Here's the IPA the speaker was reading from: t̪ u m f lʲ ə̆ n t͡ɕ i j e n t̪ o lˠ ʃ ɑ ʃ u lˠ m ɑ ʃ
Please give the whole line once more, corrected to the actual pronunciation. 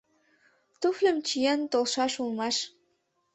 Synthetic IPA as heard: t̪ u f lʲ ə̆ m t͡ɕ i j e n t̪ o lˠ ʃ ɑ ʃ u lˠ m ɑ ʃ